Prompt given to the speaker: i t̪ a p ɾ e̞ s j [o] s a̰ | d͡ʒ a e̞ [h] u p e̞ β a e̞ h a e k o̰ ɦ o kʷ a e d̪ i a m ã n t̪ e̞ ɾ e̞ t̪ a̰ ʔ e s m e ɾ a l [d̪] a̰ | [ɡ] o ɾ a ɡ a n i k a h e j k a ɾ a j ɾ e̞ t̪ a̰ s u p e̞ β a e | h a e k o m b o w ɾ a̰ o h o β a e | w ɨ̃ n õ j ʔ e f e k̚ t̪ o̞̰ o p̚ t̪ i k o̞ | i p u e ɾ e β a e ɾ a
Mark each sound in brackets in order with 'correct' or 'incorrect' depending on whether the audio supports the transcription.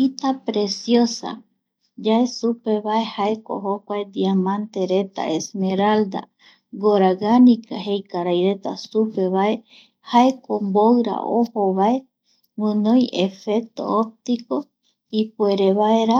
correct, incorrect, correct, correct

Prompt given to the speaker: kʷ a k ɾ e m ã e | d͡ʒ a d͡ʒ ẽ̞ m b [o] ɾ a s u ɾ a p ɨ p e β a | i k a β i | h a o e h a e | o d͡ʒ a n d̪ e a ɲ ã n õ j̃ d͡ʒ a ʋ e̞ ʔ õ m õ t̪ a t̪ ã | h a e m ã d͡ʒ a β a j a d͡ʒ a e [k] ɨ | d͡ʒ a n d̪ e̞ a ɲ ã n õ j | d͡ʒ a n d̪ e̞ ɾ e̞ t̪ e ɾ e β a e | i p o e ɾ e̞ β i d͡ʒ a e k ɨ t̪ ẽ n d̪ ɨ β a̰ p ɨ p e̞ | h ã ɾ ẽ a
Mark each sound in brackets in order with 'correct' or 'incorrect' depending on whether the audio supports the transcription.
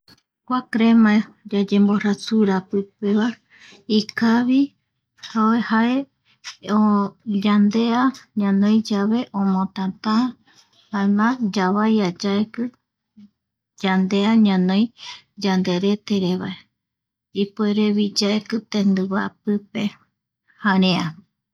correct, correct

